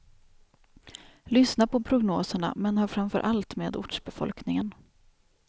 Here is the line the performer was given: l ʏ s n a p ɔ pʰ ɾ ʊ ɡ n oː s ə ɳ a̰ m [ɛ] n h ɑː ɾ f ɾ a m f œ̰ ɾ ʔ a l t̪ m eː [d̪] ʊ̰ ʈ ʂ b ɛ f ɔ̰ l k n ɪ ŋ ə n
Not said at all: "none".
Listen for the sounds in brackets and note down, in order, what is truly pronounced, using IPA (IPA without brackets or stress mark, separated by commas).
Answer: ɛ, d̪